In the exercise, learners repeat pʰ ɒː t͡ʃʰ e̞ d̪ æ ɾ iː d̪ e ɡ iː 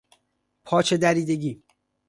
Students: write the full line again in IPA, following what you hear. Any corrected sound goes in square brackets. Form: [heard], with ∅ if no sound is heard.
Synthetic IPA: pʰ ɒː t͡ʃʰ e̞ d̪ æ ɾ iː d̪ e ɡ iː